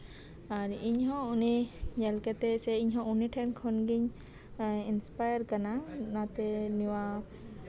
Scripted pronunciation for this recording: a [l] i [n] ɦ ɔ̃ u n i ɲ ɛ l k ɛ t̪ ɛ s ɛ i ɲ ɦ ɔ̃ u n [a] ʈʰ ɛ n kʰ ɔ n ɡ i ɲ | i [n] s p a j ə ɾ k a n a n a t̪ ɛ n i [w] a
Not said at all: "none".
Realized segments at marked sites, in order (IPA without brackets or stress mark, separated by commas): ɾ, ɲ, i, n, w